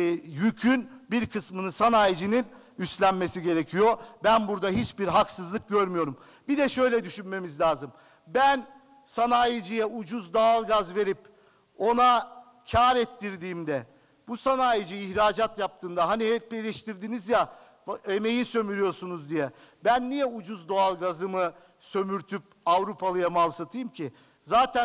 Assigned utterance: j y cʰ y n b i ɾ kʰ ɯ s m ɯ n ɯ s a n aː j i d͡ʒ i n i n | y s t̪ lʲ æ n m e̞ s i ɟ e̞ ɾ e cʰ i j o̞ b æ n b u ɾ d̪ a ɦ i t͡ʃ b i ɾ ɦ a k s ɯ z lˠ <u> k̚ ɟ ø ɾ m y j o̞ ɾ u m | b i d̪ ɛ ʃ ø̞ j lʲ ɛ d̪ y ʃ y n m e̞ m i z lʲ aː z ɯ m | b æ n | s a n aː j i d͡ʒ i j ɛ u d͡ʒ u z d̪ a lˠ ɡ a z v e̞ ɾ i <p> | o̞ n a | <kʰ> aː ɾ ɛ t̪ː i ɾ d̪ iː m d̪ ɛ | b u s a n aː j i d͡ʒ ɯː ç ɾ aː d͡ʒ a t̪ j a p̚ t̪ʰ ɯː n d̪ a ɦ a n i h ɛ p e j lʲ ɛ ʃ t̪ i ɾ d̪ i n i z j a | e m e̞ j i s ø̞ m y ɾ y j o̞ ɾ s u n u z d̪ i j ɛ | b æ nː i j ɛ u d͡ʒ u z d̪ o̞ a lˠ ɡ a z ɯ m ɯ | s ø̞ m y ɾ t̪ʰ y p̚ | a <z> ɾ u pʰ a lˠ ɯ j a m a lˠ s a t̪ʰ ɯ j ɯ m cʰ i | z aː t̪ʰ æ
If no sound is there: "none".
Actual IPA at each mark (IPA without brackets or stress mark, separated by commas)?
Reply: ɯ, p, cʰ, v